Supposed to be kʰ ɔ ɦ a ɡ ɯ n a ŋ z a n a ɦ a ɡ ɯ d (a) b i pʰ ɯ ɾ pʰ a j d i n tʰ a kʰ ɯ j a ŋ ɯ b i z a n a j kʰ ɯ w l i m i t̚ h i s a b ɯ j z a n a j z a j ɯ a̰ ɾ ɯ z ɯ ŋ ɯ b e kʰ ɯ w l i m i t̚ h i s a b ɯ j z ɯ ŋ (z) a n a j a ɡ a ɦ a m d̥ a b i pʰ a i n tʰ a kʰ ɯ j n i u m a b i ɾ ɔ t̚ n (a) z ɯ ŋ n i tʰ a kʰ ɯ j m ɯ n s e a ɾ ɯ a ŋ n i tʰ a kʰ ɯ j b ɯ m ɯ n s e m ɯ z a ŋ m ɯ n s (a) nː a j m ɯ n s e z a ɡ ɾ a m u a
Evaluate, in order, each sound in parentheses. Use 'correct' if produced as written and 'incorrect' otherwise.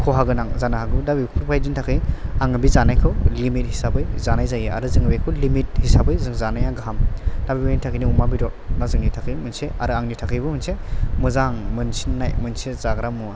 correct, correct, correct, incorrect: i

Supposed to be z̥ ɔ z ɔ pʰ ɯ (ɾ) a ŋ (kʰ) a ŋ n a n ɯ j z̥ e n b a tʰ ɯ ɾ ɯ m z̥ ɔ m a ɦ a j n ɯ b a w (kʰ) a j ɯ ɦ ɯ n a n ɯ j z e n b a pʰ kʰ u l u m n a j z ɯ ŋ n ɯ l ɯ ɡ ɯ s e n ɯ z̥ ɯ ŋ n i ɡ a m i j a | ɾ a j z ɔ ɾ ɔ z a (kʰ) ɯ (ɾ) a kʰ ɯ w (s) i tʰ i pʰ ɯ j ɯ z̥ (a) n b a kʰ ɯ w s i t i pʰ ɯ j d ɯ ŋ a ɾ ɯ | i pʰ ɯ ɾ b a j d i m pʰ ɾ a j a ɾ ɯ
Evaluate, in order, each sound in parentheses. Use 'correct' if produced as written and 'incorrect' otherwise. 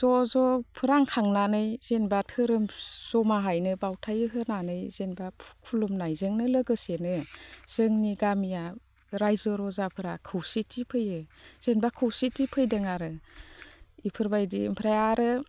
correct, correct, incorrect: tʰ, incorrect: pʰ, correct, correct, incorrect: e

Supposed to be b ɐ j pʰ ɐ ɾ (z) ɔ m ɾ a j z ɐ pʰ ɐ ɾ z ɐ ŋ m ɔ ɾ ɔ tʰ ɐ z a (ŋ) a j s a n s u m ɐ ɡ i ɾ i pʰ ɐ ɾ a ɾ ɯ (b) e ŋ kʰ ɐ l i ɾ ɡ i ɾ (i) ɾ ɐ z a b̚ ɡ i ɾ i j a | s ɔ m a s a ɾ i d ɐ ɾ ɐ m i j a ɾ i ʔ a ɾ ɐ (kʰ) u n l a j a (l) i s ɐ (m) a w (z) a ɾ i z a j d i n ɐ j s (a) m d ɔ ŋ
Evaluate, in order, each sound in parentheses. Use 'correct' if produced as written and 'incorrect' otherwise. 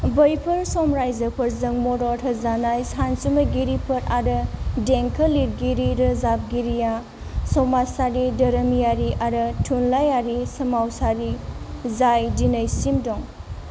incorrect: s, incorrect: n, incorrect: d, correct, incorrect: tʰ, incorrect: ɾ, correct, incorrect: s, incorrect: i

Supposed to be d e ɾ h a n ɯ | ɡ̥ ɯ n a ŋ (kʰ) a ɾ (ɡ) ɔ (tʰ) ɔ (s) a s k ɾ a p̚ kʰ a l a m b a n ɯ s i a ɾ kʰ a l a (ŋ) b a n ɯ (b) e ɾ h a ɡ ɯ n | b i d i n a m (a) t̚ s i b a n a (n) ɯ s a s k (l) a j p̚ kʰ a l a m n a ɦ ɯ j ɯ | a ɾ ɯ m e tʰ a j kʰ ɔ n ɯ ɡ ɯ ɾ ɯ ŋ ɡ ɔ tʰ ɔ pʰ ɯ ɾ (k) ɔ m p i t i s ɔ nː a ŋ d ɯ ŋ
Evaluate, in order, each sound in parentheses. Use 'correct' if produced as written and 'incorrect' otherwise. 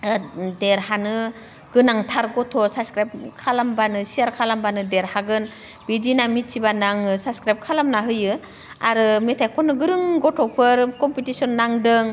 incorrect: tʰ, correct, correct, correct, incorrect: m, incorrect: d, incorrect: i, incorrect: ŋ, incorrect: ɾ, correct

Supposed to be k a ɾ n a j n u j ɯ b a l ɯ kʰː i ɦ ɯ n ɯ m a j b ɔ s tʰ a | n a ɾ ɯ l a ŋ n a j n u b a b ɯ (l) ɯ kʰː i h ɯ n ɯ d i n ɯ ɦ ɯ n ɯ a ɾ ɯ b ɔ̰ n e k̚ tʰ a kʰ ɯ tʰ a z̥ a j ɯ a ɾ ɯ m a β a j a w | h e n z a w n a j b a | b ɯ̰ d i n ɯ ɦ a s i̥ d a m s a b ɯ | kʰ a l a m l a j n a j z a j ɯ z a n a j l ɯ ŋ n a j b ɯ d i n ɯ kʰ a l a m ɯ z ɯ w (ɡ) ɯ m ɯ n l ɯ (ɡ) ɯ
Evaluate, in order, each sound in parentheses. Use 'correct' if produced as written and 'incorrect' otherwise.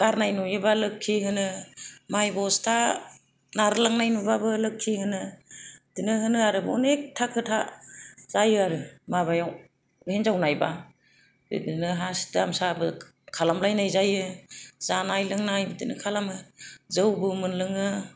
correct, incorrect: b, incorrect: ŋ

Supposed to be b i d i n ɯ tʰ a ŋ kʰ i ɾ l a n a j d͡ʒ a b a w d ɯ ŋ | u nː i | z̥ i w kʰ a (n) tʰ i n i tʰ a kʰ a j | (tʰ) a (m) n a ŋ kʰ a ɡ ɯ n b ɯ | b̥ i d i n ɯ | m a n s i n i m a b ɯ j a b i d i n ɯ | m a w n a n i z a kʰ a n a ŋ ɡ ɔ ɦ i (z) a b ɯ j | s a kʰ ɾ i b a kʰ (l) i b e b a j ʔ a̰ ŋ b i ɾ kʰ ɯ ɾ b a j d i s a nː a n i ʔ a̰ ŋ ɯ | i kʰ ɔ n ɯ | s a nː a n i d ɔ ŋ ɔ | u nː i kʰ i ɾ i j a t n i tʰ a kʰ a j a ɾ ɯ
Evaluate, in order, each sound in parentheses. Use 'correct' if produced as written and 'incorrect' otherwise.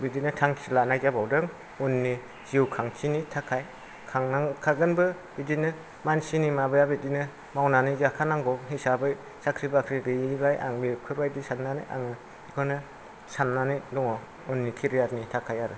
incorrect: ŋ, incorrect: kʰ, incorrect: ŋ, incorrect: s, incorrect: ɾ

